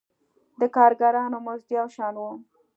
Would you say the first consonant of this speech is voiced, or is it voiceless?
voiced